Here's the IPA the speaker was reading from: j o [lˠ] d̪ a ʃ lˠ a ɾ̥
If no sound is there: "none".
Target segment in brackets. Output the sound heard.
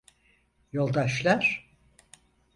lˠ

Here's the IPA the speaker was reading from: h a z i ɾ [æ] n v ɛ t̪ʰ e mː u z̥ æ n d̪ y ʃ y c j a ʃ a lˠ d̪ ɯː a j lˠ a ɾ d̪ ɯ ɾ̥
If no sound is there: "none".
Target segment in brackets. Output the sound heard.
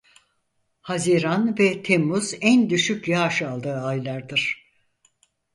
a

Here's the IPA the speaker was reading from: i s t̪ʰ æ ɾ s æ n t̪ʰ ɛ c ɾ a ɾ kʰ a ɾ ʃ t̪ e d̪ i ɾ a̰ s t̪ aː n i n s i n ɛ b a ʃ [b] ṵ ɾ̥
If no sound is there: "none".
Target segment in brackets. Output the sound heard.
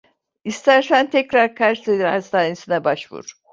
v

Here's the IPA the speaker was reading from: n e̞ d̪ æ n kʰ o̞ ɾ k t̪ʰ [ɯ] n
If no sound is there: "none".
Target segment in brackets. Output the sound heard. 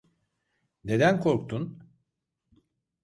u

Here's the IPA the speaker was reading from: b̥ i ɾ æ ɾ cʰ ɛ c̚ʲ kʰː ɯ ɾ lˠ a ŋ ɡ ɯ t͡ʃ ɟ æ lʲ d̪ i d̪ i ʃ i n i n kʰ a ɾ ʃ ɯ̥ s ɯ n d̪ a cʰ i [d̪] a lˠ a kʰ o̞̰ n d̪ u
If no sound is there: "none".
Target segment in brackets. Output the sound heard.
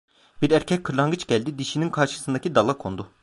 d̪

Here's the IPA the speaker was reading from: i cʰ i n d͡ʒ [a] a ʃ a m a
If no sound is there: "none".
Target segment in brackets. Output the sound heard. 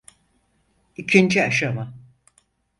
i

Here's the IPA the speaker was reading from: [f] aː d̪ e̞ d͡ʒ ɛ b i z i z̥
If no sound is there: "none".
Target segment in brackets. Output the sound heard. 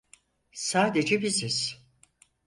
s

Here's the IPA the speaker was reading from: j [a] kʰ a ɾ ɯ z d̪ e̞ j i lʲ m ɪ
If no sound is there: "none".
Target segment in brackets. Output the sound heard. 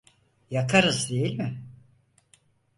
a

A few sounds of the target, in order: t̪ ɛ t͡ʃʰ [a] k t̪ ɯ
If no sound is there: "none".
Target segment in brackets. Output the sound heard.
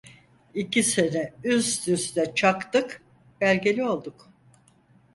a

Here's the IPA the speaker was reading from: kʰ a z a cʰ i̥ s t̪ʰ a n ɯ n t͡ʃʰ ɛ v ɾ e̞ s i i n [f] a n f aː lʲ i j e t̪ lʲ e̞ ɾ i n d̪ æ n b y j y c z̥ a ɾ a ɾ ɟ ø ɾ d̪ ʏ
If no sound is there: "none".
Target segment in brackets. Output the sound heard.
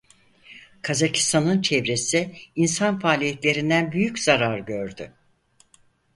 s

